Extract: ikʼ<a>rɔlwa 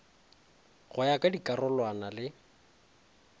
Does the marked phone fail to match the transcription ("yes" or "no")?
no